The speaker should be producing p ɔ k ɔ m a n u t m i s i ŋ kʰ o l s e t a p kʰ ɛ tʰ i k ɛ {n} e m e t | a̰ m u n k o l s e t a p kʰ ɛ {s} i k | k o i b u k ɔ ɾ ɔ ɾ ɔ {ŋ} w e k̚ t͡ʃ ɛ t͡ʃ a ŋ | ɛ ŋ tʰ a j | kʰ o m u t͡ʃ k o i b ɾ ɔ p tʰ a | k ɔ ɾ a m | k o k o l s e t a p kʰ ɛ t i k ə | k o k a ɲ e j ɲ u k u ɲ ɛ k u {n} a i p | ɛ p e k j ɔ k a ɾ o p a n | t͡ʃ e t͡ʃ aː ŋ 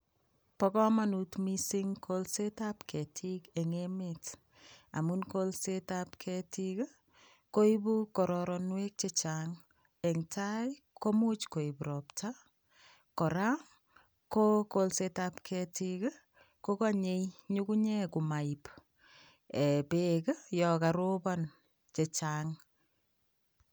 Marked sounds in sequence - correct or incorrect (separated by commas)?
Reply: incorrect, incorrect, incorrect, incorrect